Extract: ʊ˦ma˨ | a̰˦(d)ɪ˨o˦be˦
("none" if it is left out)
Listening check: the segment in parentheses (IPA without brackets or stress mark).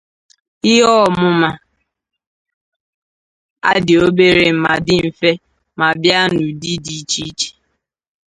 d